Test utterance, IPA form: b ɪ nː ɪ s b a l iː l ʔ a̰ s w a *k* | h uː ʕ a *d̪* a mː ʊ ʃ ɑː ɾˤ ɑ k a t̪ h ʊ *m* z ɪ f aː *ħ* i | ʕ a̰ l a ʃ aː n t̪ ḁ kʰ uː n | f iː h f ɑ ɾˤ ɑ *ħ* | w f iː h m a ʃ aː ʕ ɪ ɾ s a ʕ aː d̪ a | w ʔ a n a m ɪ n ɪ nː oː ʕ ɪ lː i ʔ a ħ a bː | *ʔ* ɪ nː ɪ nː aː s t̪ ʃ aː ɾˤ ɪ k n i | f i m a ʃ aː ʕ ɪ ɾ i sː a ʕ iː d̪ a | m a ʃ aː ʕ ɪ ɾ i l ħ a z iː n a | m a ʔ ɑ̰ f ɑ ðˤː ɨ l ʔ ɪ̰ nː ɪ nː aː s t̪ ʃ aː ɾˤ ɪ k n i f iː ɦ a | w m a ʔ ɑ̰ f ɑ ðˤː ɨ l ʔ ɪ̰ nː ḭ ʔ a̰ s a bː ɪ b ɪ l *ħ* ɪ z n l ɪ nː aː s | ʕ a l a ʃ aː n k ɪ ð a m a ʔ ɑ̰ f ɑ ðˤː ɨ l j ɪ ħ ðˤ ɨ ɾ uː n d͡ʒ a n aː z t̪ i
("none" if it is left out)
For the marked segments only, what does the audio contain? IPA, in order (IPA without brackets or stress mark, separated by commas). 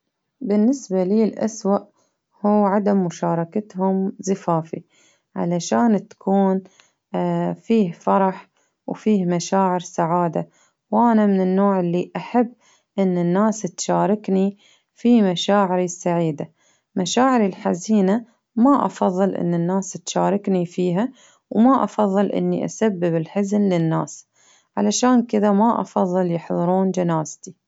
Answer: ʔ, d̪, m, f, ħ, ʔ, ħ